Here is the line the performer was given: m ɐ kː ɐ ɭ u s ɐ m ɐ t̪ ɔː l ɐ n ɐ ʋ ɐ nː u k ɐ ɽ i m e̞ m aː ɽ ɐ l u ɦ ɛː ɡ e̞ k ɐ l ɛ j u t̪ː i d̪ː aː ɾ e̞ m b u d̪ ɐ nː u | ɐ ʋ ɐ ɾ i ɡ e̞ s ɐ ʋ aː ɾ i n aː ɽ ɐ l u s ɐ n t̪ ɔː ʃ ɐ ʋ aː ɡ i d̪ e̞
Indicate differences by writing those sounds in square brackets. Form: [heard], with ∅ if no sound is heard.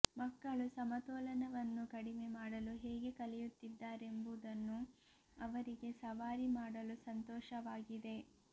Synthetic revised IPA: m ɐ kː ɐ ɭ u s ɐ m ɐ t̪ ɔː l ɐ n ɐ ʋ ɐ nː u k ɐ ɽ i m e̞ m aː ɽ ɐ l u ɦ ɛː ɡ e̞ k ɐ l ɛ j u t̪ː i d̪ː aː ɾ e̞ m b u d̪ ɐ nː u | ɐ ʋ ɐ ɾ i ɡ e̞ s ɐ ʋ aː ɾ i [m] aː ɽ ɐ l u s ɐ n t̪ ɔː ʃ ɐ ʋ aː ɡ i d̪ e̞